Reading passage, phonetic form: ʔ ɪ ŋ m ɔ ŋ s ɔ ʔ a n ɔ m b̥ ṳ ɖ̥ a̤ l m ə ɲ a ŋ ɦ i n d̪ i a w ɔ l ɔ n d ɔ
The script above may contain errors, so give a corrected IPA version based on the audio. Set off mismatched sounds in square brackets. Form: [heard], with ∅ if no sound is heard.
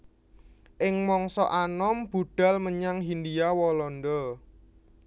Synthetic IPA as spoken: ʔ ɪ ŋ m ɔ ŋ s ɔ ʔ a n ɔ m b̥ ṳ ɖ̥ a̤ l m ə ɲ a ŋ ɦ i n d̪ i a w ɔ l ɔ n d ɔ